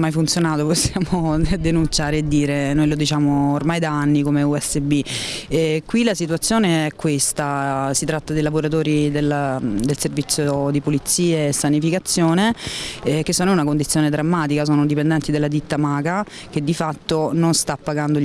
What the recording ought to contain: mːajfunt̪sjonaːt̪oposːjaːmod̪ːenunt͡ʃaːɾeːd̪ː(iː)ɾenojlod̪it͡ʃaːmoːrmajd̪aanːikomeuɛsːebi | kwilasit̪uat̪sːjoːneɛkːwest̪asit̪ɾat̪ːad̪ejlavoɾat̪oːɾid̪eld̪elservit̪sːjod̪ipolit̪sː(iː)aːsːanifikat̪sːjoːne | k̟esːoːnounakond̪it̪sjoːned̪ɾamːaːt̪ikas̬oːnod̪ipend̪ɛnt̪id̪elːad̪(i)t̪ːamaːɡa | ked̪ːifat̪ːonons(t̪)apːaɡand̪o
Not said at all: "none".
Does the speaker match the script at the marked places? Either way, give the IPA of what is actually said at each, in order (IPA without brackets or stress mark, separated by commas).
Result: iː, iː, i, t̪